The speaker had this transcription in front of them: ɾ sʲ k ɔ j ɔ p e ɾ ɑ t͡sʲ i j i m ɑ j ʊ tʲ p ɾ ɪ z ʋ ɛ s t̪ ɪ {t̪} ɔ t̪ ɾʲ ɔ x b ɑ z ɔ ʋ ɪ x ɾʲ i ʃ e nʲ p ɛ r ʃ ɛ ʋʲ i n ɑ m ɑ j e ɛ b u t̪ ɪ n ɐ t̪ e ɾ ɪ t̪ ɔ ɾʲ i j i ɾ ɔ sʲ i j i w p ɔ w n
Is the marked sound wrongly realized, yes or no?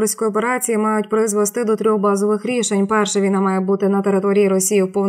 yes